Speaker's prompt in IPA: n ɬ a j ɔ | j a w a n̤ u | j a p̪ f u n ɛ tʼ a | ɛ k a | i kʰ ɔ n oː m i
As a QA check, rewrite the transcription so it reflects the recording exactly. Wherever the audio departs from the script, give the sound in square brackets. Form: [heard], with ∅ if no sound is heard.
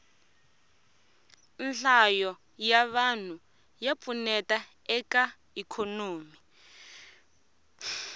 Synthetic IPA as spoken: n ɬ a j ɔ | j a [β] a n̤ u | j a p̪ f u n ɛ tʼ a | ɛ k a | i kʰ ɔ n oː m i